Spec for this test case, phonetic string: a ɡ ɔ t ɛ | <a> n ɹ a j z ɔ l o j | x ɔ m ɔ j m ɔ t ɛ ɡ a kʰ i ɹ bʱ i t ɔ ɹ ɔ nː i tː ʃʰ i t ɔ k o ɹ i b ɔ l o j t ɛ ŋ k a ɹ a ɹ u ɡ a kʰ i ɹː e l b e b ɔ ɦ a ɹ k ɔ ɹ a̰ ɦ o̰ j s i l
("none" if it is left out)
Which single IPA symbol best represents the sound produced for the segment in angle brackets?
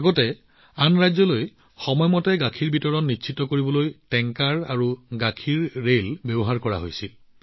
a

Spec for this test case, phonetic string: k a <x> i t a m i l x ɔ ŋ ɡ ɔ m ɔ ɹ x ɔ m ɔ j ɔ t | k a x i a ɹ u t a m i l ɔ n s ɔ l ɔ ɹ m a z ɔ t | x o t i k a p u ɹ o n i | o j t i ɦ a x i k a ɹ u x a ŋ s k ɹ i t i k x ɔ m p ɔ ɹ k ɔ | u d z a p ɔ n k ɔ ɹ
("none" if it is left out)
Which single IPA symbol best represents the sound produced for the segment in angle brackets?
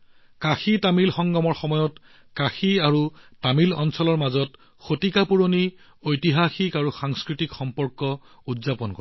x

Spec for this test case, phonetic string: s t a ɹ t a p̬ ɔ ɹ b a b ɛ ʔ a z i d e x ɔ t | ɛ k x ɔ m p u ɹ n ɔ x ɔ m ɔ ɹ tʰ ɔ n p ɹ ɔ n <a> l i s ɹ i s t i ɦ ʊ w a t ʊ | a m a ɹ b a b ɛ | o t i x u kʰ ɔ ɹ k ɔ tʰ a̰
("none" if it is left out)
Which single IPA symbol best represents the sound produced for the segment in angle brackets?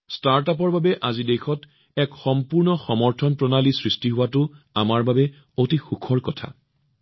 a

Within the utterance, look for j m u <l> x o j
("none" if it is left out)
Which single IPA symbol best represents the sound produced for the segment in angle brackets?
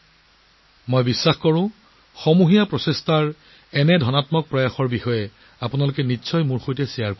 ɹ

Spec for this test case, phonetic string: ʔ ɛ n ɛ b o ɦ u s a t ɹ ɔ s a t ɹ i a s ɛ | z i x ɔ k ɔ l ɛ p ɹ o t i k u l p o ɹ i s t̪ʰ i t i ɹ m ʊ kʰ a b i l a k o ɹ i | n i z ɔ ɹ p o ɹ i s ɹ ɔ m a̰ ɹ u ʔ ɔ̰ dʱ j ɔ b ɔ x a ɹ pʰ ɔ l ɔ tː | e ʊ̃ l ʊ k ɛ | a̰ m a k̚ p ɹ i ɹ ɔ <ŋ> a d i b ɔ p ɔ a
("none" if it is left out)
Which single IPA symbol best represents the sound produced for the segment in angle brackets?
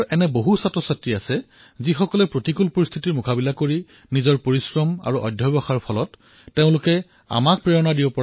n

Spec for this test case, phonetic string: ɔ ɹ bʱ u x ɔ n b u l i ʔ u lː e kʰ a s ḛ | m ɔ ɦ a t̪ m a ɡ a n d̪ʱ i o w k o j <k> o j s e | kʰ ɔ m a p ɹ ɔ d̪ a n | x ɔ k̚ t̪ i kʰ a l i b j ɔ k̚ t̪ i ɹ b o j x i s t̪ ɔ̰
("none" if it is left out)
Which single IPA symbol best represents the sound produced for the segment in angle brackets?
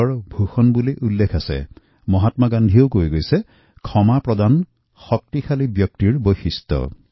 ɡ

